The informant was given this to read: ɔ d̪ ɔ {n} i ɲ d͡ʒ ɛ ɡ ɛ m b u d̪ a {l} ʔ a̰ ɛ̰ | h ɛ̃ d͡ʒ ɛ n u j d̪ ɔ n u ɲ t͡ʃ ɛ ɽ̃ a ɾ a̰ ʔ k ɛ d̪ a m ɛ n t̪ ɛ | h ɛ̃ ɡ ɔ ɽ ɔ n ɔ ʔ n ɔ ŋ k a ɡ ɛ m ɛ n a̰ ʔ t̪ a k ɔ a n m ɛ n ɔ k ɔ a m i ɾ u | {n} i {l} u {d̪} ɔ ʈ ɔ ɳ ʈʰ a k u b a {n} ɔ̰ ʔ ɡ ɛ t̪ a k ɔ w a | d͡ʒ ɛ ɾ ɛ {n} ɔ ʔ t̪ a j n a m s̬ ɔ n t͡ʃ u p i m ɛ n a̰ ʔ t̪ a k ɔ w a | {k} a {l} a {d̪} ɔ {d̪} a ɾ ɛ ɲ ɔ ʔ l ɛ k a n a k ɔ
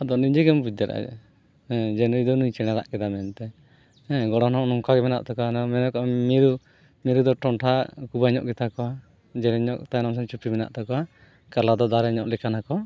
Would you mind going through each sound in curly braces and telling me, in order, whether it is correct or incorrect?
correct, incorrect: ɾ, incorrect: m, incorrect: ɾ, correct, incorrect: ɲ, incorrect: ɲ, correct, correct, correct, correct

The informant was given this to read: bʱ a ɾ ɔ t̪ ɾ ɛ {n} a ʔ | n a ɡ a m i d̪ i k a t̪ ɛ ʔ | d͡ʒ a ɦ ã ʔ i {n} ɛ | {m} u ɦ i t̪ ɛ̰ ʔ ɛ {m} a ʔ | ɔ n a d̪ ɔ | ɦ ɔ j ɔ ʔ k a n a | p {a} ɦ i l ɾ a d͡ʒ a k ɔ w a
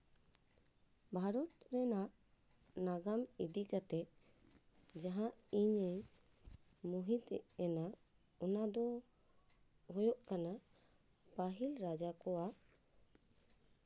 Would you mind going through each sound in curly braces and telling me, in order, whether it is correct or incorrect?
correct, incorrect: ɲ, correct, incorrect: n, correct

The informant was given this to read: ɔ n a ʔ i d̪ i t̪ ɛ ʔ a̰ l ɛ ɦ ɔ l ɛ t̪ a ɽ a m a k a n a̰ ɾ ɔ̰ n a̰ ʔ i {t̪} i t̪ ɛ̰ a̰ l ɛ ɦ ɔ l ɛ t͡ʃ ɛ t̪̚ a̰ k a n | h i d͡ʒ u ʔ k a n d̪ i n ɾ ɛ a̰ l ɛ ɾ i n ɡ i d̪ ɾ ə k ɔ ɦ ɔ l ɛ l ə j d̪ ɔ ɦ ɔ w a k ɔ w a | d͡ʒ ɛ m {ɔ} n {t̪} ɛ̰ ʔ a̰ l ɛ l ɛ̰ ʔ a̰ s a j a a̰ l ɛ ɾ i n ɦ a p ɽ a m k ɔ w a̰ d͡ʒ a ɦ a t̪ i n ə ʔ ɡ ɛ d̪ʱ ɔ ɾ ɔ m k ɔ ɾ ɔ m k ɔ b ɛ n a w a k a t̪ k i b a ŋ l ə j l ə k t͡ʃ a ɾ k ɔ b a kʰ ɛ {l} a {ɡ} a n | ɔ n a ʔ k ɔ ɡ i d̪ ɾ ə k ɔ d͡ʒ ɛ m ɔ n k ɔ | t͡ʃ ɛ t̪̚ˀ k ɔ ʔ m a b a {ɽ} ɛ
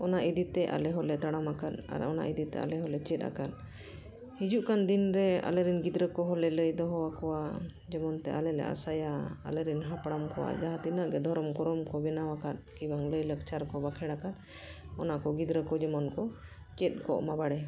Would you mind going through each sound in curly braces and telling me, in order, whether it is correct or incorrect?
incorrect: d̪, correct, correct, incorrect: ɽ, incorrect: k, correct

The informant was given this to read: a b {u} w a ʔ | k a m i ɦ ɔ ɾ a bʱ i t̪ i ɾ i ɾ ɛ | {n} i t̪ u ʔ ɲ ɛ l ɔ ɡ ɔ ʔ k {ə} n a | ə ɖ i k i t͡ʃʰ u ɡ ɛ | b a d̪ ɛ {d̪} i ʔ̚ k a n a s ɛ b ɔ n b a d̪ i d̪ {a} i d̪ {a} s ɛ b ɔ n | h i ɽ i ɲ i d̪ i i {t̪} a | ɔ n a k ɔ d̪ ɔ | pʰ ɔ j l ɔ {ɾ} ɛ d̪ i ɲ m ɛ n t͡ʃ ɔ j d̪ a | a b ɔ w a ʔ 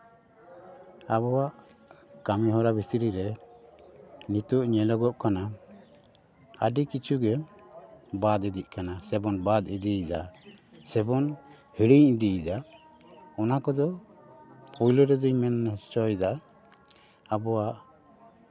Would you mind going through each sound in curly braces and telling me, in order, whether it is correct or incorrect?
incorrect: ɔ, correct, incorrect: a, correct, incorrect: i, correct, incorrect: d̪, correct

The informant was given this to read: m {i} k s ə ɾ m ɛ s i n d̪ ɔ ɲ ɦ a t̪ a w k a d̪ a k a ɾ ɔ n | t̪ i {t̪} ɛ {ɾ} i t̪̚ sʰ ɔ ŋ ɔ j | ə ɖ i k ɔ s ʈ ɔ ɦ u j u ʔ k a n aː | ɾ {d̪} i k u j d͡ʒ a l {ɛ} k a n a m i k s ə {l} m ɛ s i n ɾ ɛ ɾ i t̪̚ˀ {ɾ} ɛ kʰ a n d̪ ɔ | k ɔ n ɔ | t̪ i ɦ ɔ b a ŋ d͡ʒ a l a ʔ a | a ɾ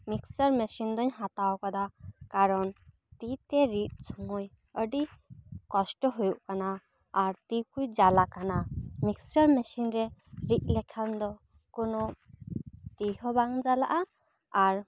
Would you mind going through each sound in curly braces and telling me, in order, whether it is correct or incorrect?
correct, correct, correct, incorrect: t̪, incorrect: a, incorrect: ɾ, incorrect: l

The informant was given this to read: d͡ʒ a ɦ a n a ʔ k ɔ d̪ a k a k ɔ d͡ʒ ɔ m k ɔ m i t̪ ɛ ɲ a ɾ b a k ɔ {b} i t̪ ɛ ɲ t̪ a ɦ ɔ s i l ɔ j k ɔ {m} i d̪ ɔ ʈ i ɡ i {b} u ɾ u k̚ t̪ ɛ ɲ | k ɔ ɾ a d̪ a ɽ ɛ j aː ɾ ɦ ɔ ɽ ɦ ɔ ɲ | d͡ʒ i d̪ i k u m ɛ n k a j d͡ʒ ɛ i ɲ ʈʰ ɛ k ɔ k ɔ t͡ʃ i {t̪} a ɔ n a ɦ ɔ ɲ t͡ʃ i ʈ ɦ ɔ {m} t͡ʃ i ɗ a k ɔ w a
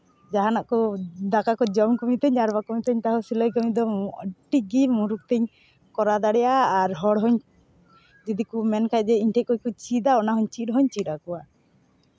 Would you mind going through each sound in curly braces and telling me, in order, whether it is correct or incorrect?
incorrect: m, correct, incorrect: m, incorrect: d̪, incorrect: ɲ

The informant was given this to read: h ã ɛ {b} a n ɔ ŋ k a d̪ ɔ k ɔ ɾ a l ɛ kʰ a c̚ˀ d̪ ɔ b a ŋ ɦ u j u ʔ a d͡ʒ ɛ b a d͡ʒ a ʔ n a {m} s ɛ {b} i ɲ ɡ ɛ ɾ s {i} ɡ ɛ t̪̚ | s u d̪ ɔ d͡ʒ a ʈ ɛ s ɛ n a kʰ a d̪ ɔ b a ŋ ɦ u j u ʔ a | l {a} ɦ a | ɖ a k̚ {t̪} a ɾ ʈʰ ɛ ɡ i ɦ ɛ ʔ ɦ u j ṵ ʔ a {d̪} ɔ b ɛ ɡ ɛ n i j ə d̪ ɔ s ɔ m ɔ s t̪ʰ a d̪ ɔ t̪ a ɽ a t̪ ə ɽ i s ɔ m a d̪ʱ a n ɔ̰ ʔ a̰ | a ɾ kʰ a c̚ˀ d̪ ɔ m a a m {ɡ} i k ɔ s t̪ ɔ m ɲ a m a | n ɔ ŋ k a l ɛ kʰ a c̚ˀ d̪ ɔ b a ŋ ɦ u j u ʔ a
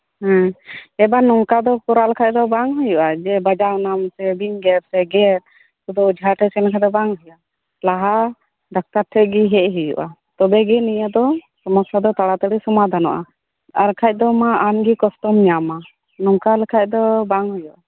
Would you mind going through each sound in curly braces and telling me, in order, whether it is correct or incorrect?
correct, correct, correct, incorrect: ɛ, correct, correct, incorrect: t̪, correct

